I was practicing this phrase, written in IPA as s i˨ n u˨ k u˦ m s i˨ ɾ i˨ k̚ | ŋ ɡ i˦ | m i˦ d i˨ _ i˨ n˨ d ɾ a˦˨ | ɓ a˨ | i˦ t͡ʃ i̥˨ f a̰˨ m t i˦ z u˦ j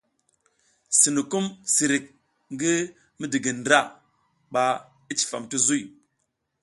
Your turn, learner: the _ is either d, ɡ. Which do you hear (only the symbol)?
ɡ